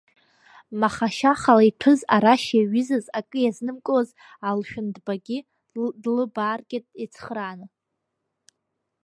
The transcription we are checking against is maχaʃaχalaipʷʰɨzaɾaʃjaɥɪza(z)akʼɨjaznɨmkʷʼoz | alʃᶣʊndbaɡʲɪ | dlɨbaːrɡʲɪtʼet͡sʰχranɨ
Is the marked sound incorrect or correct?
correct